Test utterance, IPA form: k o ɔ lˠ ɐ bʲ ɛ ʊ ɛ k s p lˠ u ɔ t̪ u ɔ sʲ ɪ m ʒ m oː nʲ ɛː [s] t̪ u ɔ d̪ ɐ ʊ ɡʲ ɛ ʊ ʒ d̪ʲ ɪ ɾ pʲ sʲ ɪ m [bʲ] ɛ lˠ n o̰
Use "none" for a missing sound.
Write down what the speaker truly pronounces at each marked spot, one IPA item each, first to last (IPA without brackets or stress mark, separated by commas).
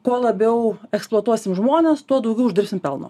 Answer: s, pʲ